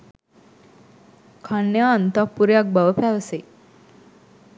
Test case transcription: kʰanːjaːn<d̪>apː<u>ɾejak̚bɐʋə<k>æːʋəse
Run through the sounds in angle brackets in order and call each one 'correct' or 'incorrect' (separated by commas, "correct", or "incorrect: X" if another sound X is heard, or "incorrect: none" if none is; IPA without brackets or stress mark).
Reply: incorrect: t̪, correct, incorrect: p